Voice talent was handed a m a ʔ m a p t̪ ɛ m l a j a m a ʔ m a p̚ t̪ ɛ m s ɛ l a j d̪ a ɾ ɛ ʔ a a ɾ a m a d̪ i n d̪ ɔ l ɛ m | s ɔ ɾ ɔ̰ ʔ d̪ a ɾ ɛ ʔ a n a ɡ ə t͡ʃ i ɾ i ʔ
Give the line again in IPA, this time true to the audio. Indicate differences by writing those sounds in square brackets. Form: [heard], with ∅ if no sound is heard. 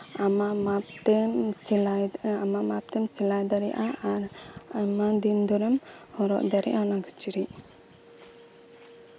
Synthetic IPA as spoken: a m a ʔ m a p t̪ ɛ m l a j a m a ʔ m a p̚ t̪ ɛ m s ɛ l a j d̪ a ɾ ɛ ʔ a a ɾ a m a d̪ i n d̪ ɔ [ɾ] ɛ m | [h] ɔ ɾ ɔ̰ ʔ d̪ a ɾ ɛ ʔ a n a ɡ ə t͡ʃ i ɾ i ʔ